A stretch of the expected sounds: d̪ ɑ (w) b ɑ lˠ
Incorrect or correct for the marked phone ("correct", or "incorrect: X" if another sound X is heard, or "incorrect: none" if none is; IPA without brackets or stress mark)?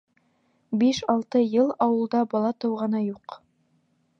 incorrect: none